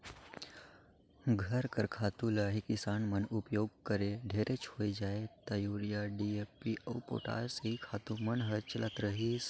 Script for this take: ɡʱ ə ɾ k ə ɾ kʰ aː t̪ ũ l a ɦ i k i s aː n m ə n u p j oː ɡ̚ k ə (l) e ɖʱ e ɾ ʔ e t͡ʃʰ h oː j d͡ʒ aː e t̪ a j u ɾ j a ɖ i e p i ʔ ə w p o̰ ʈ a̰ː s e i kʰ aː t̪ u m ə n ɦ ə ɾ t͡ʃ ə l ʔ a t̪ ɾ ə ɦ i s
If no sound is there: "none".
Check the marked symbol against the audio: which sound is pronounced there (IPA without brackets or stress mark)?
ɾ